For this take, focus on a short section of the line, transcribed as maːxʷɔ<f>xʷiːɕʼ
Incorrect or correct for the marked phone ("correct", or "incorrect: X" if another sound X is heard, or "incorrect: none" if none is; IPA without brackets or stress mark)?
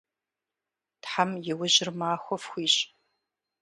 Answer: correct